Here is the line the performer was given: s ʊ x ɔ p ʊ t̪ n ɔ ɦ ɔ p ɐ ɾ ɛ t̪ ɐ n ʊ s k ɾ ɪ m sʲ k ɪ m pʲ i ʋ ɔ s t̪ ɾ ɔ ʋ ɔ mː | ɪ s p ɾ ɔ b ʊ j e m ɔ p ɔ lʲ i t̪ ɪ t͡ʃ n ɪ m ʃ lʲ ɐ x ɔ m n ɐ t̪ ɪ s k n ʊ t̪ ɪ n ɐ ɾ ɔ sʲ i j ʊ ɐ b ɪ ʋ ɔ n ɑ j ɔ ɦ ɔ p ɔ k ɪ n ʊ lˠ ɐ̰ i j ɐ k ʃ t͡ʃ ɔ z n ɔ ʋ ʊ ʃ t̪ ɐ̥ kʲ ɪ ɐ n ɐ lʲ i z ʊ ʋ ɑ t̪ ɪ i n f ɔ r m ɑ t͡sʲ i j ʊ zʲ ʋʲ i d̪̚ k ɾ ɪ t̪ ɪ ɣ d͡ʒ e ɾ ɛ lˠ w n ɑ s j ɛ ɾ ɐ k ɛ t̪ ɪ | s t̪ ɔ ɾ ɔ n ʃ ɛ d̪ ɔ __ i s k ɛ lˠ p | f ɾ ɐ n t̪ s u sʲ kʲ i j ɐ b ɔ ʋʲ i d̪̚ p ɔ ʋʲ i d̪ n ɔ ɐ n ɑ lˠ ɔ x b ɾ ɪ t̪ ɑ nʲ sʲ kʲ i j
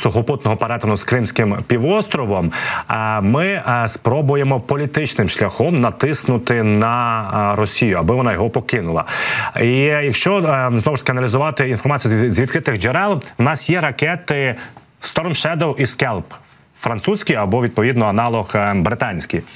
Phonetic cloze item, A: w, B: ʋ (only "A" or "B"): A